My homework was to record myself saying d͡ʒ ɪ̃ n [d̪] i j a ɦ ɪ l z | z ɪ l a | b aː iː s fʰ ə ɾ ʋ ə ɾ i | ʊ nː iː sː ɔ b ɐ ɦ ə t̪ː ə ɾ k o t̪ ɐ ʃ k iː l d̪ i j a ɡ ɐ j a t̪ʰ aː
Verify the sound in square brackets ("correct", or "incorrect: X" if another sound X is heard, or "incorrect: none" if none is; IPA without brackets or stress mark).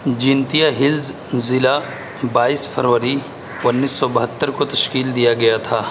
incorrect: t̪